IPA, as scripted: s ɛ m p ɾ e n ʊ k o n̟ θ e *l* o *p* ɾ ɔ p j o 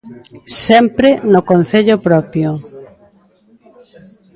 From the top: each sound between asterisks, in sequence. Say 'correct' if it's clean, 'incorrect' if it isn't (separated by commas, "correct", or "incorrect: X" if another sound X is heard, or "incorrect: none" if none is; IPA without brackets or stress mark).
incorrect: ʎ, correct